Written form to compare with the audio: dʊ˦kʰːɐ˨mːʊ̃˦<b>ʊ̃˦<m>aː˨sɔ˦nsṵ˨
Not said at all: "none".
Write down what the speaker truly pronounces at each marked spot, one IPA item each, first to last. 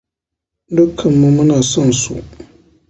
m, n

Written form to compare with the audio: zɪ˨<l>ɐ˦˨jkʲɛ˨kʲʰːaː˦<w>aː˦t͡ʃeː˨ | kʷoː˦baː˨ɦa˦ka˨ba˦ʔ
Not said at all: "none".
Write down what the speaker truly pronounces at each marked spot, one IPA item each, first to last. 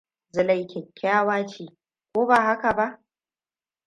l, w

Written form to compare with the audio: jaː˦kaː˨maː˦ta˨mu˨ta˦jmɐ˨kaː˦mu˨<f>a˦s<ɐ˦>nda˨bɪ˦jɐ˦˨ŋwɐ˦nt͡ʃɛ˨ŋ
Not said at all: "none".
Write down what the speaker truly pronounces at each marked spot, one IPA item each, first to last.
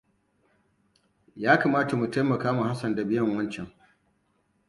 h, ɐ˨

